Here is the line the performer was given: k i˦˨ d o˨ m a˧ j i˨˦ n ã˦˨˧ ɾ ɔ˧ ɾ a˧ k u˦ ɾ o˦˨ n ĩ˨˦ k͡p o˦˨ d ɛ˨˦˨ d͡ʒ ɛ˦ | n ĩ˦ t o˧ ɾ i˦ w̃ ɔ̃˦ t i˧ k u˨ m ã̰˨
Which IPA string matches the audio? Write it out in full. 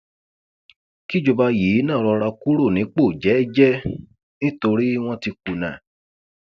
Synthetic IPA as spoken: k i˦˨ d͡ʒ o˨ b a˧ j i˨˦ n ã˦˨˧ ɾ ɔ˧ ɾ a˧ k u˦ ɾ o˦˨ n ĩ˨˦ k͡p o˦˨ d͡ʒ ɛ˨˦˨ d͡ʒ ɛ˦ | n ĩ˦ t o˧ ɾ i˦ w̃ ɔ̃˦ t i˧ k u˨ n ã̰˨